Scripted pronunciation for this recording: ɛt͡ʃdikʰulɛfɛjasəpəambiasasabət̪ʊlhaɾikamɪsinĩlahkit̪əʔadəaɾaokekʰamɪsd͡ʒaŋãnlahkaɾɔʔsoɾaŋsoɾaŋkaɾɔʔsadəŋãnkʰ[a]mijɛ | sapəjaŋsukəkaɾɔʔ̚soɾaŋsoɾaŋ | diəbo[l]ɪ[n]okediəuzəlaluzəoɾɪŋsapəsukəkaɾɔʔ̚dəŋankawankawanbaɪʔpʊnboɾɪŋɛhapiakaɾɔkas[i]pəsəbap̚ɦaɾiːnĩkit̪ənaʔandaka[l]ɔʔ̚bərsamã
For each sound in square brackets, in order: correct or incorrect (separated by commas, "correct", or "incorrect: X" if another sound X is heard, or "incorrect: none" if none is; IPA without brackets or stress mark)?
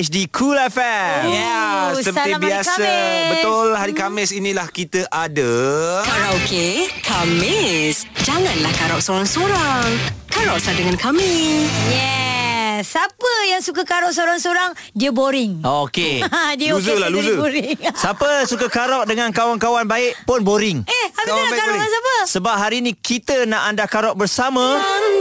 correct, incorrect: ɾ, incorrect: ŋ, incorrect: a, incorrect: ɾ